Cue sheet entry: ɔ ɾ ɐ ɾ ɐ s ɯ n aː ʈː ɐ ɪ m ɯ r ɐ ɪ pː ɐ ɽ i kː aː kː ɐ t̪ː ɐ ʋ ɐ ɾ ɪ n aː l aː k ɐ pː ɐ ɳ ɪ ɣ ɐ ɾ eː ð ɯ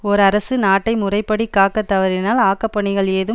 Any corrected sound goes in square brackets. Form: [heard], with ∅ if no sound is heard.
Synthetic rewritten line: ɔ ɾ ɐ ɾ ɐ s ɯ n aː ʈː ɐ ɪ m [ʊ] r ɐ ɪ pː ɐ ɽ i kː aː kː ɐ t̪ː ɐ ʋ ɐ ɾ ɪ n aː l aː k ɐ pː ɐ ɳ ɪ ɣ ɐ [ɭ] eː ð ɯ